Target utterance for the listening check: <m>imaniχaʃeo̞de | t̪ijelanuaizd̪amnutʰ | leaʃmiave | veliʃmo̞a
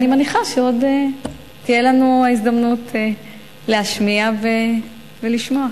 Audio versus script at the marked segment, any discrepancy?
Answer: yes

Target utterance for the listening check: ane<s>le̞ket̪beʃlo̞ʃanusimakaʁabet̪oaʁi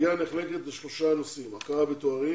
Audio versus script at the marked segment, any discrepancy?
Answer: yes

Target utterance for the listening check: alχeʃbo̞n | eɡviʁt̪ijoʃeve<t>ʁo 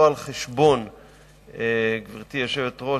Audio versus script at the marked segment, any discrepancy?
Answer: no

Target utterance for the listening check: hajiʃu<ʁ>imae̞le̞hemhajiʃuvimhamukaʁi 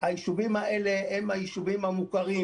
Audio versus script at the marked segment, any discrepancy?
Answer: yes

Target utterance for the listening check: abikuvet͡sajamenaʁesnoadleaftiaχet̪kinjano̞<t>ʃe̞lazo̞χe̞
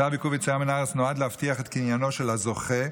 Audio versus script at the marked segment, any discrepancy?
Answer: yes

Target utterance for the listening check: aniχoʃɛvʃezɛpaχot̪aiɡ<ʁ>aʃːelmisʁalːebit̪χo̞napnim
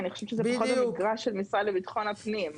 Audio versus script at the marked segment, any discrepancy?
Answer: no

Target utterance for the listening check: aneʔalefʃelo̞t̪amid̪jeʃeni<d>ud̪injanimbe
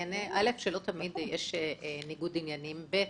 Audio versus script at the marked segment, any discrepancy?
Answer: yes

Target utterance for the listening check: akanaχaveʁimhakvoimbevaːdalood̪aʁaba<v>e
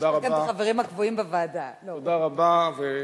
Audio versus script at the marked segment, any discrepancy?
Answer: no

